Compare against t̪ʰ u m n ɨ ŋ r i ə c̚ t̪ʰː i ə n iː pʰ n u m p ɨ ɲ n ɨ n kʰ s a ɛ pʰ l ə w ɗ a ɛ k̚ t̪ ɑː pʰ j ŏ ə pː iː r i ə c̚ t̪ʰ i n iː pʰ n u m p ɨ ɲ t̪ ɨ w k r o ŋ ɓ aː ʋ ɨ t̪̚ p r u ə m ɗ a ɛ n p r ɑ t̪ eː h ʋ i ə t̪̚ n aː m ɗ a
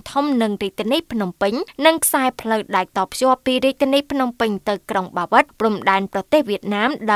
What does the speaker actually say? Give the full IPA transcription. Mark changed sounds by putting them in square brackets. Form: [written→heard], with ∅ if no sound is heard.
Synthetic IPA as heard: t̪ʰ u m n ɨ ŋ r i ə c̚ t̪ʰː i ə n iː pʰ n u m p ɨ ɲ n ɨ [n→ŋ] kʰ s a ɛ pʰ l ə w ɗ a ɛ k̚ t̪ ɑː pʰ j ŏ ə pː iː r i ə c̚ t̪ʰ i n iː pʰ n u m p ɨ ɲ t̪ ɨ w k r o ŋ ɓ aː ʋ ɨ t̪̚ p r u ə m ɗ a ɛ n p r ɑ t̪ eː h ʋ i ə t̪̚ n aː m ɗ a